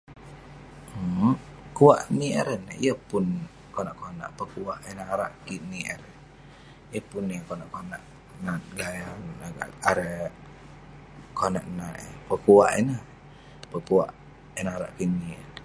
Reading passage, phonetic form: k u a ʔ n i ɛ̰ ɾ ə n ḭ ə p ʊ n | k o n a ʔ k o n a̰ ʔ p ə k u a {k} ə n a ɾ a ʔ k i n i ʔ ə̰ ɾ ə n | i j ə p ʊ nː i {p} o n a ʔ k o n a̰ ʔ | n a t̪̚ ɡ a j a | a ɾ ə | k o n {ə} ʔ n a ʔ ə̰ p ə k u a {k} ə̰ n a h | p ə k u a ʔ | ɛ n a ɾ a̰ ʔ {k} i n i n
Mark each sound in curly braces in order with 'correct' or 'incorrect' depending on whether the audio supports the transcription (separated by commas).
incorrect, incorrect, incorrect, incorrect, correct